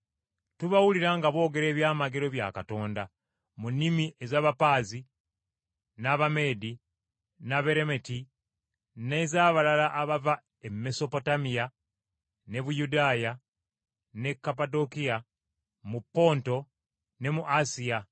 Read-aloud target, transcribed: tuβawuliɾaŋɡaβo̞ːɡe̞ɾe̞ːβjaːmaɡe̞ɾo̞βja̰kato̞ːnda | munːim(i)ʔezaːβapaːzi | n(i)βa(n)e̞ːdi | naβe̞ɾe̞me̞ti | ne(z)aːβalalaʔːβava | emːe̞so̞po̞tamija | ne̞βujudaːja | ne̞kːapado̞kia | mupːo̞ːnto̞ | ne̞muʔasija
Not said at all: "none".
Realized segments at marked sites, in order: i, a, m, z

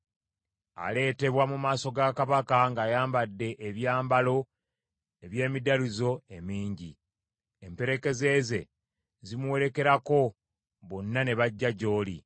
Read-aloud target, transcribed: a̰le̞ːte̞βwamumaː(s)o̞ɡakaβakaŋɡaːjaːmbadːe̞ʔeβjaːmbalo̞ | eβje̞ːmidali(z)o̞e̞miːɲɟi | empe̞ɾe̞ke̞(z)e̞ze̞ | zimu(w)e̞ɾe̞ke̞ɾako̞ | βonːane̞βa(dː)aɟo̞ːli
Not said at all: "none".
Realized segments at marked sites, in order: s, z, z, w, ɟː

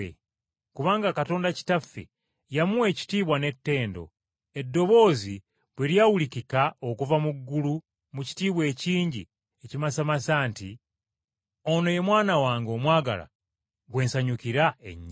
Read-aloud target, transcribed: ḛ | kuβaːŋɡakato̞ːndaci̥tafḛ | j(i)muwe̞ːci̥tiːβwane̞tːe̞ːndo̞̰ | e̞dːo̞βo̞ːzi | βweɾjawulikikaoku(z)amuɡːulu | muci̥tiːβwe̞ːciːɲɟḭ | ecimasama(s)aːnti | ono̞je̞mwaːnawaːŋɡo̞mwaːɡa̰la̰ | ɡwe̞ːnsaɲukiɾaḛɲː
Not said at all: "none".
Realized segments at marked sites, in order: a, v, s

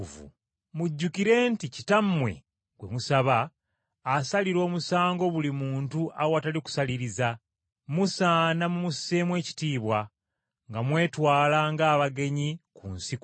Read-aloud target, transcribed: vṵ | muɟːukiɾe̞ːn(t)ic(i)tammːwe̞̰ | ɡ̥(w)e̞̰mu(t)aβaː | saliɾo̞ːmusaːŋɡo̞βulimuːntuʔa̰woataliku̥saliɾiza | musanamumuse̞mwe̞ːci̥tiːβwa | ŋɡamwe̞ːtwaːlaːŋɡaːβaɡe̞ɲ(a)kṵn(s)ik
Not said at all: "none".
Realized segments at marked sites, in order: t, i, w, s, i, s

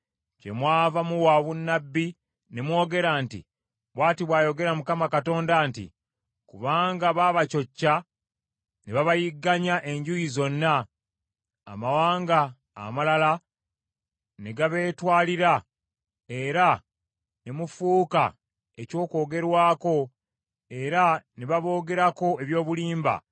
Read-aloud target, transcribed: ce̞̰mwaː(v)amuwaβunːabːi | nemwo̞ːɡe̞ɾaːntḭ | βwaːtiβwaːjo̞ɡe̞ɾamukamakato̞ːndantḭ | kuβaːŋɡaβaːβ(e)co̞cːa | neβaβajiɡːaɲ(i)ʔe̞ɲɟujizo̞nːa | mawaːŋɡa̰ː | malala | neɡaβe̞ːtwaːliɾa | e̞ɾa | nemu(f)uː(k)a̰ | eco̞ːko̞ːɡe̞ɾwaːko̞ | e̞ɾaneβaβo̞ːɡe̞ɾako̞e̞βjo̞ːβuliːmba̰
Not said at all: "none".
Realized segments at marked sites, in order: v, a, a, f, k

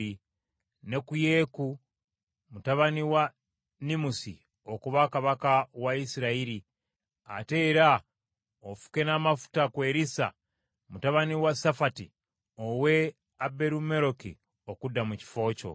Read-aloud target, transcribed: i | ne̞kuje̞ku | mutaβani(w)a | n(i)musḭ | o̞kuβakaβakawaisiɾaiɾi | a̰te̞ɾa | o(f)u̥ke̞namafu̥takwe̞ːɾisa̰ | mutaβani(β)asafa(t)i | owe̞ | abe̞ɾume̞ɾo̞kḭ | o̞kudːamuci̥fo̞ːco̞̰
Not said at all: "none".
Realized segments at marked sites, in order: w, i, f, w, t

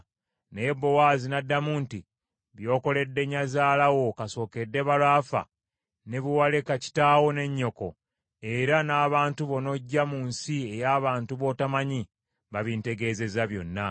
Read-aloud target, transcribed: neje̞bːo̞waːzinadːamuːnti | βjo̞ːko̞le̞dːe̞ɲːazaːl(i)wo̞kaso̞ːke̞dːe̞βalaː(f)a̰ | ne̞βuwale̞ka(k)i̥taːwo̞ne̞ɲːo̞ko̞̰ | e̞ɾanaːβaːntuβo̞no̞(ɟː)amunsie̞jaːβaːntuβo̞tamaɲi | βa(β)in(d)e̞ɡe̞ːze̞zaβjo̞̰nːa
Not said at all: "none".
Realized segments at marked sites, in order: a, f, c, ɟː, β, t

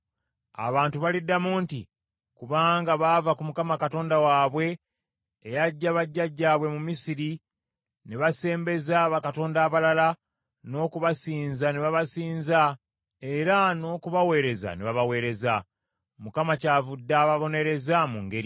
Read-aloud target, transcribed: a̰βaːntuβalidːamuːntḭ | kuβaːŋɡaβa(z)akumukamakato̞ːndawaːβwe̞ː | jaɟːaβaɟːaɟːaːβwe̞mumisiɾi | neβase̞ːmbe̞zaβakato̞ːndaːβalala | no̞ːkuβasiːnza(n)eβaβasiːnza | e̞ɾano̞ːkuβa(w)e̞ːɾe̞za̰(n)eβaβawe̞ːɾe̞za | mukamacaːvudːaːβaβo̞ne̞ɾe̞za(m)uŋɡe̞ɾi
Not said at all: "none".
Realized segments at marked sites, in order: v, n, w, n, m

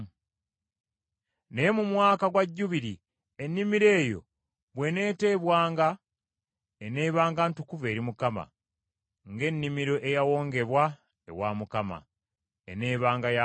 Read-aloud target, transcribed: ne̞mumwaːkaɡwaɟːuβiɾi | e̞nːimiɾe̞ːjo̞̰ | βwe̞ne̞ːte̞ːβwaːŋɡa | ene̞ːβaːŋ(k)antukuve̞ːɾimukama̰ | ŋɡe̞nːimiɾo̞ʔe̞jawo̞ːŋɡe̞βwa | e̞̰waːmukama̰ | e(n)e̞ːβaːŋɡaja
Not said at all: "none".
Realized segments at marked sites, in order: ɡ, n

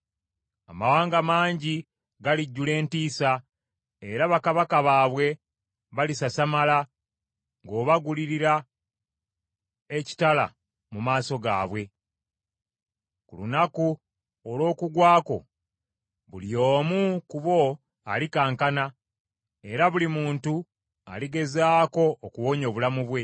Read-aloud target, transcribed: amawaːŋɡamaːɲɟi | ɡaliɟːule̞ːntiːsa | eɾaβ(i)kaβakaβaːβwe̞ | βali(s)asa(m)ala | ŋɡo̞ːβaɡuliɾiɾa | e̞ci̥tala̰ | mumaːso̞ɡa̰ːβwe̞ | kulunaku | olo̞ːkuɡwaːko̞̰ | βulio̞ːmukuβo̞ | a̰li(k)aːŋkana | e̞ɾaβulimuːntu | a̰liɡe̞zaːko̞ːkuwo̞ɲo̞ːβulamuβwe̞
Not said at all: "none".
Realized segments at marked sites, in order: a, s, m, k

